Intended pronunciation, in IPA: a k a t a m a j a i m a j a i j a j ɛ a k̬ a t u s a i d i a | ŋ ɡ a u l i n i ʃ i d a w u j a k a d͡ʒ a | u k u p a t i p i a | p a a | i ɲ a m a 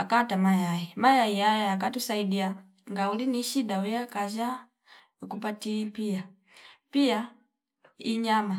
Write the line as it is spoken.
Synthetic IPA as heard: a k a t a m a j a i m a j a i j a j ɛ a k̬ a t u s a i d i a | ŋ ɡ a u l i n i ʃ i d a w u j a k a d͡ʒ a | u k u p a t i p i a | p i a | i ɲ a m a